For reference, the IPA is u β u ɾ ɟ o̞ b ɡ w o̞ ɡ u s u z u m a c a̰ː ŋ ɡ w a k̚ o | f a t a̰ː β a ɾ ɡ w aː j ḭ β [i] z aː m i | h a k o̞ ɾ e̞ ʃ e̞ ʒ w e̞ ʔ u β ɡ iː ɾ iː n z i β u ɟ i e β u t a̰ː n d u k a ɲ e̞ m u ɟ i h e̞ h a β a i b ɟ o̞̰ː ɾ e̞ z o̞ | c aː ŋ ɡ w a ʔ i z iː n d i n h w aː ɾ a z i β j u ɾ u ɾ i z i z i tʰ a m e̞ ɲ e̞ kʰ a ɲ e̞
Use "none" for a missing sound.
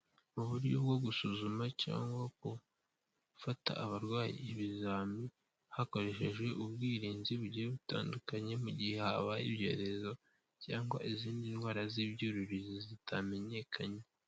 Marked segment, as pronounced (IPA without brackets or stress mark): i